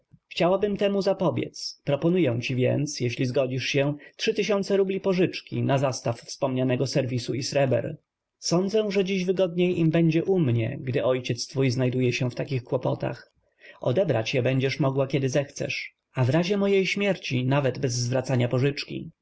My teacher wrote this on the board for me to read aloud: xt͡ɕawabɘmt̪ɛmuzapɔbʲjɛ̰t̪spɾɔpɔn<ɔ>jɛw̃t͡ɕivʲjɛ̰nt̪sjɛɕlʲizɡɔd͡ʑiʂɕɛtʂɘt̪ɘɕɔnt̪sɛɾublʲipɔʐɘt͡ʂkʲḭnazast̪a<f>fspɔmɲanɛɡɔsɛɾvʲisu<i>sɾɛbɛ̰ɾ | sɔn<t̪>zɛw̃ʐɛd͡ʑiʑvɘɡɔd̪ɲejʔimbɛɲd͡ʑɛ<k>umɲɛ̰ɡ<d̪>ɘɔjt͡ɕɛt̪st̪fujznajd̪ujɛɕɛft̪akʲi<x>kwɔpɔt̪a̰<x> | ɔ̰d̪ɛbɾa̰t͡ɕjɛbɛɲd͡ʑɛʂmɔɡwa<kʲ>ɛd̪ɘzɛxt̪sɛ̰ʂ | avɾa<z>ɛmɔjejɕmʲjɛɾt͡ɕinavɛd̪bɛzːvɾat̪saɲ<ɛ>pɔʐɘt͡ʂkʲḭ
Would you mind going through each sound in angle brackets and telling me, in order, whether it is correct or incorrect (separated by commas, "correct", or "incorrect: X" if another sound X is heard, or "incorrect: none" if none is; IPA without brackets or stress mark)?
incorrect: u, correct, correct, incorrect: d̪, incorrect: ʔ, correct, correct, correct, correct, incorrect: ʑ, incorrect: a